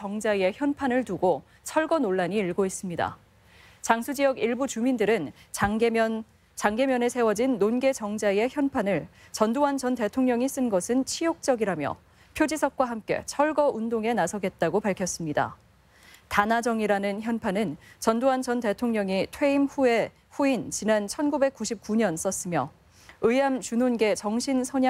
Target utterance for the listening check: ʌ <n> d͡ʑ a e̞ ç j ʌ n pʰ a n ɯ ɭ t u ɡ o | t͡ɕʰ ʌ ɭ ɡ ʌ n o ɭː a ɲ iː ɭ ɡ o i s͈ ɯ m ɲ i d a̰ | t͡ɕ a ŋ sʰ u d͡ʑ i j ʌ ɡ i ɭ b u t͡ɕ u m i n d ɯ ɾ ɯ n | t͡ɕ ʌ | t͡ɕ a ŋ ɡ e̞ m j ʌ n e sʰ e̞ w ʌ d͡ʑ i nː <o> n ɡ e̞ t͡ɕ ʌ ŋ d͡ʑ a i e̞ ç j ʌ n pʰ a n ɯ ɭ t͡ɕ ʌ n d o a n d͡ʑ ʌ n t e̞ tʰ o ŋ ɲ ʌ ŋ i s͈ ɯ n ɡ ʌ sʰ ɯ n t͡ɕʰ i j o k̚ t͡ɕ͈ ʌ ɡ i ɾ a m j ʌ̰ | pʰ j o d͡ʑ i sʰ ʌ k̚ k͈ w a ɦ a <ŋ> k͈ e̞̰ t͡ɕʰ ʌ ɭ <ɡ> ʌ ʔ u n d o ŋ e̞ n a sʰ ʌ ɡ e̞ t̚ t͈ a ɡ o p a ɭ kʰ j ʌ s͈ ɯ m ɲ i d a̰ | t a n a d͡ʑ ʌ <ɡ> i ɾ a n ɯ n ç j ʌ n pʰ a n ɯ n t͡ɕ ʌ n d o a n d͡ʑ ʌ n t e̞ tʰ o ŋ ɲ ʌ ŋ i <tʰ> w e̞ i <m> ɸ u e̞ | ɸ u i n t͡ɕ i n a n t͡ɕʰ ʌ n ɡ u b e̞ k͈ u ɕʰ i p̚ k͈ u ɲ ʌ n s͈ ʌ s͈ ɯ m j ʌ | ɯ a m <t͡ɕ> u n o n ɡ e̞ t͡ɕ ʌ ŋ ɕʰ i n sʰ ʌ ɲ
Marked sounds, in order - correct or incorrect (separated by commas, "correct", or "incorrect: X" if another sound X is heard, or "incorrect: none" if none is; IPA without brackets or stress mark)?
incorrect: ŋ, correct, incorrect: m, correct, incorrect: ŋ, correct, correct, correct